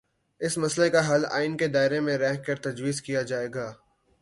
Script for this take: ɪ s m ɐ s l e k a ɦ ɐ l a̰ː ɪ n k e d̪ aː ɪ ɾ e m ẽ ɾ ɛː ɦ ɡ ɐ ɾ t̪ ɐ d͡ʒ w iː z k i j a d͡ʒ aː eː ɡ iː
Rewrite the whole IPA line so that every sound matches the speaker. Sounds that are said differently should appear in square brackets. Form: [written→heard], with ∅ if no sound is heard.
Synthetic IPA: ɪ s m ɐ s l e k a ɦ ɐ l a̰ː ɪ n k e d̪ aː ɪ ɾ e m ẽ ɾ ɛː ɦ [ɡ→k] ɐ ɾ t̪ ɐ d͡ʒ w iː z k i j a d͡ʒ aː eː ɡ [iː→aː]